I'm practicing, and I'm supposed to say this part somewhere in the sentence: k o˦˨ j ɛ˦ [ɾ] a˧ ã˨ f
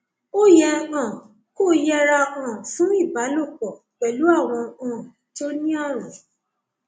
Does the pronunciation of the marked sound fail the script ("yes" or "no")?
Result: no